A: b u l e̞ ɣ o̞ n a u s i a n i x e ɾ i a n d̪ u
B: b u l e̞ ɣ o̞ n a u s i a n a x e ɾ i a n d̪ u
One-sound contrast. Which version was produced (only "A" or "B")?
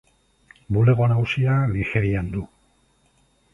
A